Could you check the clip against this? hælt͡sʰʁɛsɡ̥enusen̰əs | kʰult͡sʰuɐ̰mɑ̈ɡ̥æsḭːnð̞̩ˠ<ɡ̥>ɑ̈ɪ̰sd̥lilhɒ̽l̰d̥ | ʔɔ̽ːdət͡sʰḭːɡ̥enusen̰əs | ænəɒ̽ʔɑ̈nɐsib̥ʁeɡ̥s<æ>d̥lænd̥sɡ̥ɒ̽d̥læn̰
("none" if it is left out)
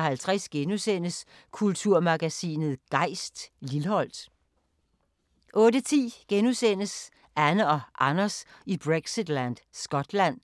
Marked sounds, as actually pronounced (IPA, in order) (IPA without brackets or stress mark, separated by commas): ɡ̥, i